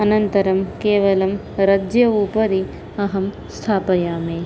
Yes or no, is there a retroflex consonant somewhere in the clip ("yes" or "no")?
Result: no